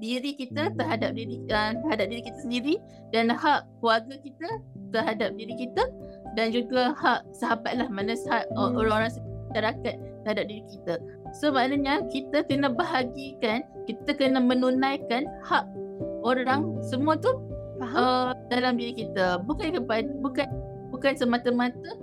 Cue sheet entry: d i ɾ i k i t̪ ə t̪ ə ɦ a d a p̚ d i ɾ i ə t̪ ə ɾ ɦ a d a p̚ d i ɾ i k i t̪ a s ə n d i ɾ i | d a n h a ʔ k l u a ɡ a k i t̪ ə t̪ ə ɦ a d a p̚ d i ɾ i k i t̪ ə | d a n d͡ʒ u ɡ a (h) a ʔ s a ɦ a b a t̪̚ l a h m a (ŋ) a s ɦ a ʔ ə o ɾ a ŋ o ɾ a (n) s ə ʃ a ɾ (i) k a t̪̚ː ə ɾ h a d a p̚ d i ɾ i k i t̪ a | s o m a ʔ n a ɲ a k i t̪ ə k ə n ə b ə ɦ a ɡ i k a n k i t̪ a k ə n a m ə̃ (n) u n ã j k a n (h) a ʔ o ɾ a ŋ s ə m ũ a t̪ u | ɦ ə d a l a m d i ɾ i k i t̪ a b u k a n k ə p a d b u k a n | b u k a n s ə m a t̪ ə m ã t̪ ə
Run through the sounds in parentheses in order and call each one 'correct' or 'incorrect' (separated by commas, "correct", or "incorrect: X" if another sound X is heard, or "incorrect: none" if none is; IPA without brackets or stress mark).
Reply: correct, incorrect: n, incorrect: ŋ, incorrect: a, correct, correct